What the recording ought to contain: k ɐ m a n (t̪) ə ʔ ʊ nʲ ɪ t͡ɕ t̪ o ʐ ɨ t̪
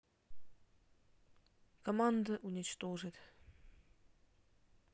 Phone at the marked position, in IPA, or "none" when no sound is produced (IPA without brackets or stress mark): d̪